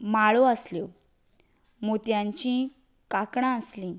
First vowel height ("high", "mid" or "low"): low